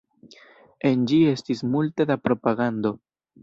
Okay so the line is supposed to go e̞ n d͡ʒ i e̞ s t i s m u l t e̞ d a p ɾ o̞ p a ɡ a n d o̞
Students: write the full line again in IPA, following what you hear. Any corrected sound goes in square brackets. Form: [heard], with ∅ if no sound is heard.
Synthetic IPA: e̞ n d͡ʒ i e̞ s t i s m u l t e̞ d a p ɾ o̞ p a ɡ a n d o̞